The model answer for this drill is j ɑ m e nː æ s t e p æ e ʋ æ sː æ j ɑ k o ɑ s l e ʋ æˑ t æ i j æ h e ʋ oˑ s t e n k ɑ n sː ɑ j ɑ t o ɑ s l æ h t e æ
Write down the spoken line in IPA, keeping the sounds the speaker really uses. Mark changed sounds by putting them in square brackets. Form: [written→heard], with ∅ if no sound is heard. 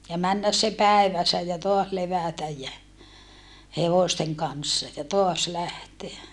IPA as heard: j ɑ m [e→æ] nː æ s [t→s] e p æ e ʋ æ sː æ j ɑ [k→t] o ɑ s l e ʋ æˑ t æ [i→j] j æ h e ʋ oˑ s t e [n→ŋ] k ɑ n sː ɑ j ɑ t o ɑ s l æ h t e æ